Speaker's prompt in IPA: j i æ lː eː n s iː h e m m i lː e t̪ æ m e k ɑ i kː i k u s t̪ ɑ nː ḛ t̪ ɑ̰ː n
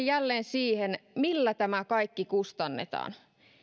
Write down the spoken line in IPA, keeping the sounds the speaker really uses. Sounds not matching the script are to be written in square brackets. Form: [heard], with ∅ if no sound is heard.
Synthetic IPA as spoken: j [j] æ lː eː n s iː h e [n] m i lː [æ] t̪ æ m [æ] k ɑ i kː i k u s t̪ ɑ nː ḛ t̪ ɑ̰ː n